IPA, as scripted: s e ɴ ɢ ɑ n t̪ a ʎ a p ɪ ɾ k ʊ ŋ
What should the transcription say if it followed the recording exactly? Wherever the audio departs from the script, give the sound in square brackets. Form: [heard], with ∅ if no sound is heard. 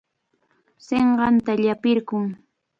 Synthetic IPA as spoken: s e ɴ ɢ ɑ n t̪ a ʎ a p ɪ ɾ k ʊ ŋ